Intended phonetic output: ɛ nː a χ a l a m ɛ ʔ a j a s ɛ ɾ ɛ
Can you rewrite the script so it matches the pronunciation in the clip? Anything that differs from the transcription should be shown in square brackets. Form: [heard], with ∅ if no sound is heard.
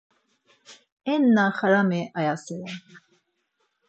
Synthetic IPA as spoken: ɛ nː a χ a [ɾ] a m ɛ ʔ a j a s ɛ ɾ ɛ